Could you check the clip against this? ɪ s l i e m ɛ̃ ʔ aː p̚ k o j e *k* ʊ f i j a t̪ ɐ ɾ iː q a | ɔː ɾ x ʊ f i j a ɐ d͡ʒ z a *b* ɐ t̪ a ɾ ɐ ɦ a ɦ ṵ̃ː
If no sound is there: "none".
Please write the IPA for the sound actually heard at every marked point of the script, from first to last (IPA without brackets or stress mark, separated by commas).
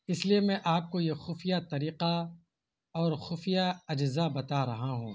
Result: x, b